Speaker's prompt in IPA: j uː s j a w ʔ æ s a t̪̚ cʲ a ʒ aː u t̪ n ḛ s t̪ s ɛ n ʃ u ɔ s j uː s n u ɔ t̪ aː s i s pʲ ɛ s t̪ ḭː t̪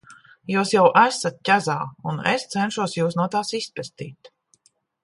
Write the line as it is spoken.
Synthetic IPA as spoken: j uː s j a w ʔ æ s a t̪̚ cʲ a z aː u n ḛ s t̪ s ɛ n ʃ u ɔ s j uː s n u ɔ t̪ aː s i s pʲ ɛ s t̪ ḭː t̪